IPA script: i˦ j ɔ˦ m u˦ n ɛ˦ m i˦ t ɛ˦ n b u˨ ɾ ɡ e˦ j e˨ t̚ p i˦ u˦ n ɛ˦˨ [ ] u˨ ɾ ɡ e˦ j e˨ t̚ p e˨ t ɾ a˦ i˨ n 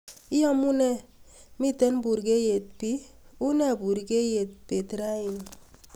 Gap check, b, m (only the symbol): b